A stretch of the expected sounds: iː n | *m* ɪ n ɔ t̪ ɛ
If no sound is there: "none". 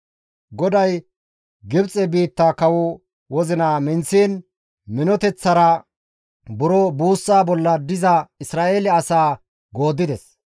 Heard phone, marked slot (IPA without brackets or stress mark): m